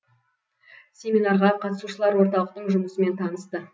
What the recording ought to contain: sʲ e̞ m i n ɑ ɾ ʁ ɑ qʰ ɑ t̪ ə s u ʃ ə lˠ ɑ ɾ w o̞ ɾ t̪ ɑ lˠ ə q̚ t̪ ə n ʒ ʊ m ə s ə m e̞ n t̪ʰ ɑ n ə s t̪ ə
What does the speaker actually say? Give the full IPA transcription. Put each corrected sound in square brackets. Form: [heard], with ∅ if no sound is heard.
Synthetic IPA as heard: sʲ e̞ m i n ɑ ɾ ʁ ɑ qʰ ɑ t̪ ə s u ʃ ə lˠ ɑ ɾ w o̞ ɾ t̪ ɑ lˠ ə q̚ t̪ ə [ɴ] ʒ ʊ m ə s ə m e̞ n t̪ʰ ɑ n ə s t̪ ə

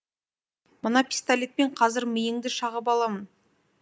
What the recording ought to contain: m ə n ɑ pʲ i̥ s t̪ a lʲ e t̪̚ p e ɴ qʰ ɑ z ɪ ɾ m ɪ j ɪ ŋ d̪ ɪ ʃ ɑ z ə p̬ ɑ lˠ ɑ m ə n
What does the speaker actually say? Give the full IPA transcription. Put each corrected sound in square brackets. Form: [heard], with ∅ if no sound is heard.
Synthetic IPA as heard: m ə n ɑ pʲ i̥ s t̪ a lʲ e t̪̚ p e ɴ qʰ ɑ z ɪ ɾ m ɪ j ɪ ŋ d̪ ɪ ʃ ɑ [ʁ] ə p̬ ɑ lˠ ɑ m ə n

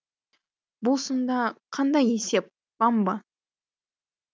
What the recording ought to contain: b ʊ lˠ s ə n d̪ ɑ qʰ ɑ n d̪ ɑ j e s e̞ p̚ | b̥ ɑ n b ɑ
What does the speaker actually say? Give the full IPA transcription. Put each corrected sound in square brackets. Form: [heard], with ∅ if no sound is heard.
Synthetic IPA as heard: b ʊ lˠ s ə n d̪ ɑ qʰ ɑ n d̪ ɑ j e s e̞ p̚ | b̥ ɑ [m] b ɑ

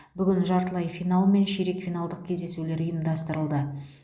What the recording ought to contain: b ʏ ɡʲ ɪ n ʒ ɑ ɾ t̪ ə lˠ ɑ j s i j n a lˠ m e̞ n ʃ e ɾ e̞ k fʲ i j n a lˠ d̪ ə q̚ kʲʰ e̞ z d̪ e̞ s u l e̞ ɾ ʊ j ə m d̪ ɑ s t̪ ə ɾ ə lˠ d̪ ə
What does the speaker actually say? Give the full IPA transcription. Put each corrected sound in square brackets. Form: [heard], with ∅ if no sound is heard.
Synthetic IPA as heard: b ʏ ɡʲ ɪ n ʒ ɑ ɾ t̪ ə lˠ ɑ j [f] i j n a lˠ m e̞ n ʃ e ɾ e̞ k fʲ i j n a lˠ d̪ ə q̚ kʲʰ e̞ z d̪ e̞ s u l e̞ ɾ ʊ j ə m d̪ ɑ s t̪ ə ɾ ə lˠ d̪ ə

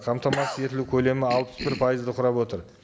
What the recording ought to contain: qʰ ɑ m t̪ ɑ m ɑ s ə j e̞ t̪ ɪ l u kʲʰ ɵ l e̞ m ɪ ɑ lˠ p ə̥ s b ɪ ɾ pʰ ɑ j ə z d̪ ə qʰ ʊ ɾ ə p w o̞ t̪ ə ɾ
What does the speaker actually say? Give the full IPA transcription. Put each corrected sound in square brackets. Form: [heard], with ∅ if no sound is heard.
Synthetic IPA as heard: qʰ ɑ m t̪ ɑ m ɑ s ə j e̞ t̪ ɪ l u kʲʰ ɵ l e̞ m ɪ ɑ lˠ p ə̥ s b ɪ ɾ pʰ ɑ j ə z d̪ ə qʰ ʊ ɾ [ɑ] p w o̞ t̪ ə ɾ

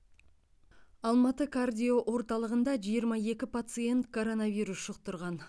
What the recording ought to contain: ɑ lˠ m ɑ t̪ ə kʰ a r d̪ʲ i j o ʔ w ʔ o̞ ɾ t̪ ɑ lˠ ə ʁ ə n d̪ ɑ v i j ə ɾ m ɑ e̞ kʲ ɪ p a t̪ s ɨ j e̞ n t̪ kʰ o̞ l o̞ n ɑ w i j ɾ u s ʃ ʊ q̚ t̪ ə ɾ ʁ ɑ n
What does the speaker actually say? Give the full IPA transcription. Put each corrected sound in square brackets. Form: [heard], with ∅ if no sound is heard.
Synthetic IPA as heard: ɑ lˠ m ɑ t̪ ə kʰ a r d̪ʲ i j o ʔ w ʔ o̞ ɾ t̪ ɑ lˠ ə ʁ ə n d̪ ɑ [ʒ] i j ə ɾ m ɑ e̞ kʲ ɪ p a t̪ s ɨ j e̞ n t̪ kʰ o̞ [ɾ] o̞ n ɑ [v] i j ɾ u s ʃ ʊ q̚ t̪ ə ɾ ʁ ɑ n

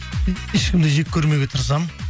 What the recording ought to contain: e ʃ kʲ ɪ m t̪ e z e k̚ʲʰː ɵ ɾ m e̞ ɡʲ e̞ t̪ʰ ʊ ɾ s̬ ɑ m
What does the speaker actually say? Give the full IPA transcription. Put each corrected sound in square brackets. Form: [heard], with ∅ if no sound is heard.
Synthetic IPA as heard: e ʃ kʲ ɪ m [d̪] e [ʒ] e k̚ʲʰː ɵ ɾ m e̞ ɡʲ e̞ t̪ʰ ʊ ɾ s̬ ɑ m

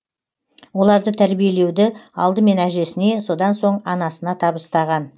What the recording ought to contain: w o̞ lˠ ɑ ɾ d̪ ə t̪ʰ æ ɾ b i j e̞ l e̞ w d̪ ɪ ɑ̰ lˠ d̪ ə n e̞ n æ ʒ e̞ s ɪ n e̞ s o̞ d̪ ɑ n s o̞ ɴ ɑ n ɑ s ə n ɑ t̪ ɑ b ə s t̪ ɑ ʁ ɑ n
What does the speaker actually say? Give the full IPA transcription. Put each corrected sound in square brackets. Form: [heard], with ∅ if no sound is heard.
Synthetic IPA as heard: w o̞ lˠ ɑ ɾ d̪ ə t̪ʰ æ ɾ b i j e̞ l e̞ w d̪ ɪ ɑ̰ lˠ d̪ ə [m] e̞ n æ ʒ e̞ s ɪ n e̞ s o̞ d̪ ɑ n s o̞ ɴ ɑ n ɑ s ə n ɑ [t̪ʰ] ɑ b ə s t̪ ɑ ʁ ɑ n

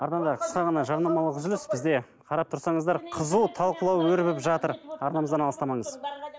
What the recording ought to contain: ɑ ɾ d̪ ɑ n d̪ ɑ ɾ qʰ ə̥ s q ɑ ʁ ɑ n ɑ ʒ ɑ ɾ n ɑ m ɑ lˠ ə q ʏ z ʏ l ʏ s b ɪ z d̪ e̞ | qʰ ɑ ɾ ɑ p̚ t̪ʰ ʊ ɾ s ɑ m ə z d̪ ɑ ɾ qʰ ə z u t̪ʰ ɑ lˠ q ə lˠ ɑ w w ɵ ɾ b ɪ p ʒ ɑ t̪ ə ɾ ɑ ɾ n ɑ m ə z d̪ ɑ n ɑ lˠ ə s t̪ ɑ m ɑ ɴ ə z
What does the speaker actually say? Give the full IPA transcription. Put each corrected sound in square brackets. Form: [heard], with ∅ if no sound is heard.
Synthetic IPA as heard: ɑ ɾ d̪ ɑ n d̪ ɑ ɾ qʰ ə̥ s q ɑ ʁ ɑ n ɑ ʒ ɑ ɾ n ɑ m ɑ lˠ ə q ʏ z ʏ l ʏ s b ɪ z d̪ e̞ | qʰ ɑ ɾ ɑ p̚ t̪ʰ ʊ ɾ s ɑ [ɴ] ə z d̪ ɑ ɾ qʰ ə z u t̪ʰ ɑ lˠ q ə lˠ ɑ w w ɵ ɾ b ɪ p ʒ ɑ t̪ ə ɾ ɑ ɾ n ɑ m ə z d̪ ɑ n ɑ lˠ ə s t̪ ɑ m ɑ ɴ ə z

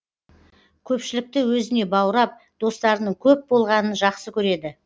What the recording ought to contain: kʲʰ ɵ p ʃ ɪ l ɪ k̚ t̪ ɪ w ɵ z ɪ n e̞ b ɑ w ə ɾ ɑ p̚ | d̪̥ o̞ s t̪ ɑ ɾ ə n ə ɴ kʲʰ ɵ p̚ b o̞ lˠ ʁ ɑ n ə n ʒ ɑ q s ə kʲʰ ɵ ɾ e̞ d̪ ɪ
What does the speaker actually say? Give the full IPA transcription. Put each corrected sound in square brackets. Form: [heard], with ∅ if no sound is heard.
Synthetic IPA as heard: kʲʰ ɵ p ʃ ɪ l ɪ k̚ t̪ ɪ w ɵ z ɪ n e̞ b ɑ w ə ɾ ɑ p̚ | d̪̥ o̞ s t̪ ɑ ɾ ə n ə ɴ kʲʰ ɵ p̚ b o̞ lˠ ʁ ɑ n ə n ʒ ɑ q s ə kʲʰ ɵ ɾ e̞ d̪ ɪ

